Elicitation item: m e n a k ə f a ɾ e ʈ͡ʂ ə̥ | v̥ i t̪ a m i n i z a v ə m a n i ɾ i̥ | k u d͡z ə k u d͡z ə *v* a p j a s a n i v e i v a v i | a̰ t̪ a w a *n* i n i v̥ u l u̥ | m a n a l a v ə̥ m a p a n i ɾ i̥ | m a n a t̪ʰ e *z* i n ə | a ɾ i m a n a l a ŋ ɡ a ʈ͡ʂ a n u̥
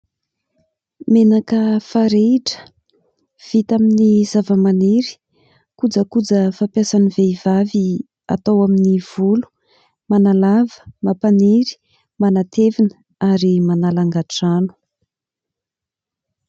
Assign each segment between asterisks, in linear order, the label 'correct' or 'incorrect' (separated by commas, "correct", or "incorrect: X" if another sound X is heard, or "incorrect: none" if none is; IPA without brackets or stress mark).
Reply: incorrect: f, incorrect: m, incorrect: v